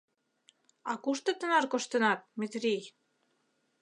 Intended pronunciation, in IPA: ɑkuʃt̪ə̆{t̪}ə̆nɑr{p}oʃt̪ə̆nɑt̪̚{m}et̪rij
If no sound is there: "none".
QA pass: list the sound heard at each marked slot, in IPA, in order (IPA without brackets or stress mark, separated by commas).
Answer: t̪, k, m